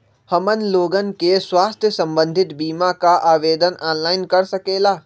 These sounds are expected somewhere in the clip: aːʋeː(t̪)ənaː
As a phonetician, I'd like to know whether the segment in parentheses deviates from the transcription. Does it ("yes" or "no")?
yes